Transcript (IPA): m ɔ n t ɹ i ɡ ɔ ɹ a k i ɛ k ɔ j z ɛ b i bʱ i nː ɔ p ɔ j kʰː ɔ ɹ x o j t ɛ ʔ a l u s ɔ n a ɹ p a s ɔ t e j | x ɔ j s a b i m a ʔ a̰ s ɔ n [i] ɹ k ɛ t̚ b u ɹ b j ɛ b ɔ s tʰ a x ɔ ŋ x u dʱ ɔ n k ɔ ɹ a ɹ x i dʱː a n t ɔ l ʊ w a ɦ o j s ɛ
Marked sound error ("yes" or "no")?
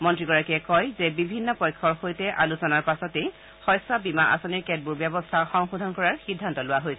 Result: no